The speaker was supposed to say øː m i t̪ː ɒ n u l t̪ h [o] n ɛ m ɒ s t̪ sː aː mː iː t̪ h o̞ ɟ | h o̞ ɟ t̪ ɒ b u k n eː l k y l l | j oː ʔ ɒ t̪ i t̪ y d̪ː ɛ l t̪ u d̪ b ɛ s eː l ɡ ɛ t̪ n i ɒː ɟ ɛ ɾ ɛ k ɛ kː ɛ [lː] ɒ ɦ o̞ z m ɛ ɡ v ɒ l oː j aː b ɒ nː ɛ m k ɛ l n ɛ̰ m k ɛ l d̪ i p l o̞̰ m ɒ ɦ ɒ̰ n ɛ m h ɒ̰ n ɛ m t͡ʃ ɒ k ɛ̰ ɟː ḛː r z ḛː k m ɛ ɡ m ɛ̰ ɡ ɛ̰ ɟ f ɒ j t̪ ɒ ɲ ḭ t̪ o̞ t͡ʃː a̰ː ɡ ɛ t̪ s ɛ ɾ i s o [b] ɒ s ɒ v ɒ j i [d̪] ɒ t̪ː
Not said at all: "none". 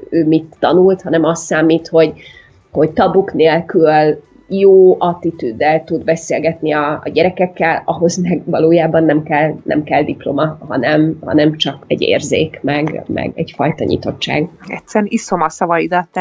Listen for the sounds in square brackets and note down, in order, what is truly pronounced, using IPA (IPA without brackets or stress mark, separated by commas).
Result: ɒ, l, m, d̪